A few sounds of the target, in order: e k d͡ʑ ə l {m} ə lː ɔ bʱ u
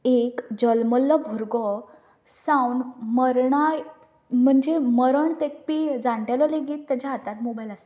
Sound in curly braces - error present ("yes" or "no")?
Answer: no